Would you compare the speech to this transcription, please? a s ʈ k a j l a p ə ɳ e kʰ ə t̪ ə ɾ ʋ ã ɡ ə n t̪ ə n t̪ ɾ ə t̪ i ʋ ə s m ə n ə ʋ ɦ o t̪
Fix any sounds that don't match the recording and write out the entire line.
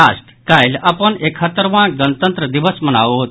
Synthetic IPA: a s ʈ k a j l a p ə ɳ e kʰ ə t̪ ə ɾ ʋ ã ɡ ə n t̪ ə n t̪ ɾ ə d̪ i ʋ ə s m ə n a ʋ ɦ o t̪

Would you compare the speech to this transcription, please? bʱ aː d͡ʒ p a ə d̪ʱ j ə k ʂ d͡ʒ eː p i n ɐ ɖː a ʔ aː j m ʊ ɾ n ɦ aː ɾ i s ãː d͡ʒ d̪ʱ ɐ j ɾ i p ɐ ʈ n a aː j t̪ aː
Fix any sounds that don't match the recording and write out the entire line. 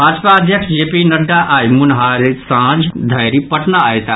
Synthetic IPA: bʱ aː d͡ʒ p a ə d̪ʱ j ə k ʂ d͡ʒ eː p i n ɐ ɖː a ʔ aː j m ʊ n ɦ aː ɾ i s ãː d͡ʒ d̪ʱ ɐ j ɾ i p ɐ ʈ n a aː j t̪ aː

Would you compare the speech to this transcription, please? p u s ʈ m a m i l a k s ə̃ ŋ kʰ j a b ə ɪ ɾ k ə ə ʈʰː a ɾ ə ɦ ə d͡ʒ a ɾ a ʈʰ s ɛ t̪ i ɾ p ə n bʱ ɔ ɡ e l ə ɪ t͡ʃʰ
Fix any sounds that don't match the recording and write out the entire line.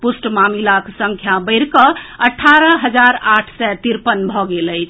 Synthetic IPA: p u s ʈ m a m i l a k s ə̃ ŋ kʰ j a b ə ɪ ɾ k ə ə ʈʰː a ɾ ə ɦ ə d͡ʒ a ɾ a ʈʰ s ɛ t̪ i ɾ p ə n bʱ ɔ ɡ e l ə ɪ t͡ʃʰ

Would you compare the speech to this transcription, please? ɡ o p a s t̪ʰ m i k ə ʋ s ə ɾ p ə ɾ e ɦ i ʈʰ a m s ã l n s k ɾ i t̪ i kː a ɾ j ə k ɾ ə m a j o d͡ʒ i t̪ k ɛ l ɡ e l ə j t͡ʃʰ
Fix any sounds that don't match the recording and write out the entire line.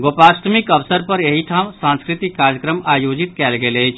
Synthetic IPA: ɡ o p a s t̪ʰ m i k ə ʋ s ə ɾ p ə ɾ e ɦ i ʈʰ a m s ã n s k ɾ i t̪ i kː a ɾ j ə k ɾ ə m a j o d͡ʒ i t̪ k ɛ l ɡ e l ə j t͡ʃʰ

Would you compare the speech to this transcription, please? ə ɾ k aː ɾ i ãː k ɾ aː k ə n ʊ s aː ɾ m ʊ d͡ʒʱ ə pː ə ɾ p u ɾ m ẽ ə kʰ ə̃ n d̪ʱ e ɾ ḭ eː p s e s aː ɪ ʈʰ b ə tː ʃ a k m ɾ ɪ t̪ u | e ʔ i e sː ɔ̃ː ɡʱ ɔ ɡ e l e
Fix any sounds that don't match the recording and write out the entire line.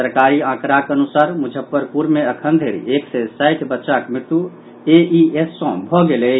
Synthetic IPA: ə ɾ k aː ɾ i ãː k ɾ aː k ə n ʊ s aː ɾ m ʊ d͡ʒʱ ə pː ə ɾ p u ɾ m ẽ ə kʰ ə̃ n d̪ʱ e ɾ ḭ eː k s e s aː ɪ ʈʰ b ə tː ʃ a k m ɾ ɪ t̪ u | e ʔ i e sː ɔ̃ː bʱ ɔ ɡ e l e

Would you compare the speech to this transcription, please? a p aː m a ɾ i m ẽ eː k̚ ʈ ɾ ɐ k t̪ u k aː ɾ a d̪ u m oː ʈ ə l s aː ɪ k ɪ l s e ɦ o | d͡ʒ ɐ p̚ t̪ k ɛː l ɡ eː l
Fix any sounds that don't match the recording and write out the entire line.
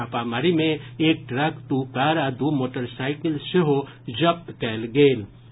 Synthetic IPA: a p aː m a ɾ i m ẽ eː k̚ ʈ ɾ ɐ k t̪ u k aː ɾ a d̪ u m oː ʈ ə ɾ s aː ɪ k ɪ l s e ɦ o | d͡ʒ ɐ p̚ t̪ k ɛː l ɡ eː l

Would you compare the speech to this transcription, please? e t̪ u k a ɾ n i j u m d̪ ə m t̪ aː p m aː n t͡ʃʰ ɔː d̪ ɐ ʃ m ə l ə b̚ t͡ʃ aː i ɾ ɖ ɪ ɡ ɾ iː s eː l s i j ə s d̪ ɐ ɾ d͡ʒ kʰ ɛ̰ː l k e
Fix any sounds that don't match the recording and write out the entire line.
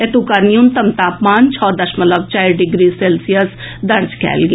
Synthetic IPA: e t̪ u k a ɾ n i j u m t̪ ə m t̪ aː p m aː n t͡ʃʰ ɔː d̪ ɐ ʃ m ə l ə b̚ t͡ʃ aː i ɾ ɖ ɪ ɡ ɾ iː s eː l s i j ə s d̪ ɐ ɾ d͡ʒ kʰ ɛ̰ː l ɡ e

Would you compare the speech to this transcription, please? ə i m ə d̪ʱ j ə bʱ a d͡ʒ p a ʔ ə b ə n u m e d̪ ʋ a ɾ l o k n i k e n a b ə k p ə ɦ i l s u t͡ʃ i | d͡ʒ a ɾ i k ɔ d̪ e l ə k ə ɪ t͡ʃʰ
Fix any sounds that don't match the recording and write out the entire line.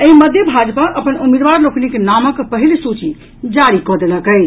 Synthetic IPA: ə i m ə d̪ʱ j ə bʱ a d͡ʒ p a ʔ ə p ə n u m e d̪ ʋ a ɾ l o k n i k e n a m ə k p ə ɦ i l s u t͡ʃ i | d͡ʒ a ɾ i k ɔ d̪ e l ə k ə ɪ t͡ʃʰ

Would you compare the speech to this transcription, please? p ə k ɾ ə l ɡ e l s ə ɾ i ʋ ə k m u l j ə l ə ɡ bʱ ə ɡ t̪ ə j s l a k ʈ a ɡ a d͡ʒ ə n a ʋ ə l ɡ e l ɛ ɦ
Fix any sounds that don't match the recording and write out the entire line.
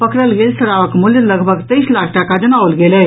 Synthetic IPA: p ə k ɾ ə l ɡ e l s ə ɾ a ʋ ə k m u l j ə l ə ɡ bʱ ə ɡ t̪ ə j s l a kʰ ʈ a k a d͡ʒ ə n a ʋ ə l ɡ e l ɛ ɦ

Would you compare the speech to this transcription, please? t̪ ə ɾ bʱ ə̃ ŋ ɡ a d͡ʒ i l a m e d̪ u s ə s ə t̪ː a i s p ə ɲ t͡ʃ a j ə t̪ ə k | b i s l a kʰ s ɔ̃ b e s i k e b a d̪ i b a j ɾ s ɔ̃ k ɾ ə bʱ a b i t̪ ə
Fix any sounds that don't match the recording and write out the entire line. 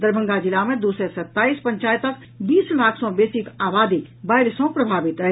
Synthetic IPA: d̪ ə ɾ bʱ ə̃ ŋ ɡ a d͡ʒ i l a m e d̪ u s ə s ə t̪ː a i s p ə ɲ t͡ʃ a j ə t̪ ə k | b i s l a kʰ s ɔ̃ b e s i k a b a d̪ i b a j ɾ s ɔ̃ p ɾ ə bʱ a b i t̪ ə

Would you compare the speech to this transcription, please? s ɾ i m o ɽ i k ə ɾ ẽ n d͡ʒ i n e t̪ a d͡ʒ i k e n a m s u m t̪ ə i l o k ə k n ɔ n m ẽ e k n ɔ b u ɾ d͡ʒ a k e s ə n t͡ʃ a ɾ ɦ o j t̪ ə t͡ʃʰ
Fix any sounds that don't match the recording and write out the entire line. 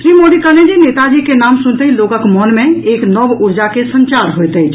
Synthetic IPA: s ɾ i m o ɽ i k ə l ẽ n d͡ʒ i n e t̪ a d͡ʒ i k e n a m s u n t̪ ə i l o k ə k m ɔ n m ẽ e k n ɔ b u ɾ d͡ʒ a k e s ə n t͡ʃ a ɾ ɦ o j t̪ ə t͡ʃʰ

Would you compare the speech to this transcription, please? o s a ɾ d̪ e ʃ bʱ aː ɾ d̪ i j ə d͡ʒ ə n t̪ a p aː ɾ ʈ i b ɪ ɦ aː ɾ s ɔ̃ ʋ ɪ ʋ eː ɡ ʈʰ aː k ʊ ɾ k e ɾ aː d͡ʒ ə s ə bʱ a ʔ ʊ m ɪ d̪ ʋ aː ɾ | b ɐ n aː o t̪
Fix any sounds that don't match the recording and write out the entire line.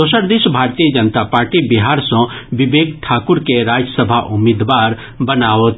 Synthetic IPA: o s ə ɾ d̪ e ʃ bʱ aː ɾ t̪ i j ə d͡ʒ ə n t̪ a p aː ɾ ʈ i b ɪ ɦ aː ɾ s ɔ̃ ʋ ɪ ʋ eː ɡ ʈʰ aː k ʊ ɾ k e ɾ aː d͡ʒ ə s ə bʱ a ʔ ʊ m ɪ d̪ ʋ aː ɾ | b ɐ n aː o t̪

